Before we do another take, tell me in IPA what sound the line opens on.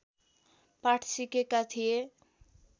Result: p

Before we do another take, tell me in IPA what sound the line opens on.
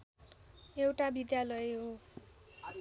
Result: e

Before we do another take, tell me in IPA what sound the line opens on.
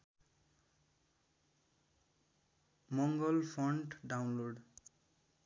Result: m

